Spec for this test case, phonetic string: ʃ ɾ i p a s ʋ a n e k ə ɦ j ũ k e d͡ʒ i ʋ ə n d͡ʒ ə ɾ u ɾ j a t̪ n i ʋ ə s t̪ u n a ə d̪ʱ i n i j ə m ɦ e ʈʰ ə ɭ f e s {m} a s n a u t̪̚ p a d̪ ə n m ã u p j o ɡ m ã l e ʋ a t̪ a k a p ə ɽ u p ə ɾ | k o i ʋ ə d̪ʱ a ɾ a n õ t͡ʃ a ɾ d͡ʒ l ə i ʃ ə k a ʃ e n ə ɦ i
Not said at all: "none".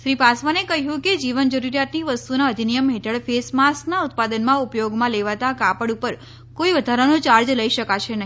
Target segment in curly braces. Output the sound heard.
m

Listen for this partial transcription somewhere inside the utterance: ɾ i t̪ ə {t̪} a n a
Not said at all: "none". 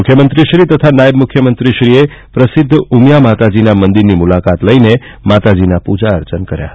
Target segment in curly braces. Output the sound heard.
t̪ʰ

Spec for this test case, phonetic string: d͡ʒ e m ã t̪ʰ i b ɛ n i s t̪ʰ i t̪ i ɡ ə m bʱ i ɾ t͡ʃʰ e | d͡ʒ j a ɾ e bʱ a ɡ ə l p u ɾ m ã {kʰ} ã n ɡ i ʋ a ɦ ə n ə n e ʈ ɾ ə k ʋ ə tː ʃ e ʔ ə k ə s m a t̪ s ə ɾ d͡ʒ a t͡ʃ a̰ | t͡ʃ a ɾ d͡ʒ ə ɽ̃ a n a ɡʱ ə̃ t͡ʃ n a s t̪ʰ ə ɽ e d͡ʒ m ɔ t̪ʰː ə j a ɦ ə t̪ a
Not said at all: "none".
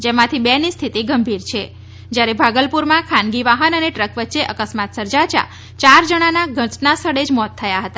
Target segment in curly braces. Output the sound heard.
kʰ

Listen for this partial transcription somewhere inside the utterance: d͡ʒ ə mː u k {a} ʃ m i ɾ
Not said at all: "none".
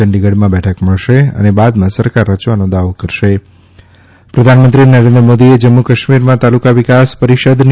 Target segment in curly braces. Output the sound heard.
ə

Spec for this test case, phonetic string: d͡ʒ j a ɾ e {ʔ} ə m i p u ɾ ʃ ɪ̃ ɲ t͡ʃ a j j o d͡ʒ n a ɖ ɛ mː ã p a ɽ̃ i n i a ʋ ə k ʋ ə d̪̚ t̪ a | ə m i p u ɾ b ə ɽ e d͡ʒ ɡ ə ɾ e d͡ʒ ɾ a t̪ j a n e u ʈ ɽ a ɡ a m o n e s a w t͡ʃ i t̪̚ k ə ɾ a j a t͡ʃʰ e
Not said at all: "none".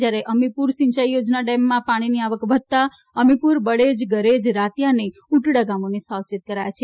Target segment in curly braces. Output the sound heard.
ʔ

